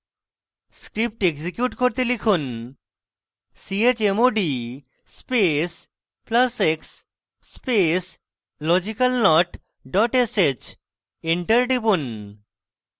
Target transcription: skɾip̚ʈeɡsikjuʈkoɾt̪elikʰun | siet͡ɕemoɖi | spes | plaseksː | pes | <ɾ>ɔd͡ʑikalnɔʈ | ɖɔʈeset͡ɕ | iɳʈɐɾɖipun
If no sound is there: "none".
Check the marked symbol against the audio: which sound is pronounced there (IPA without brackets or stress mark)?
l